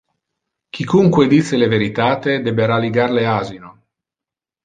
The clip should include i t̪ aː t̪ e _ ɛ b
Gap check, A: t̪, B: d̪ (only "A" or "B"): B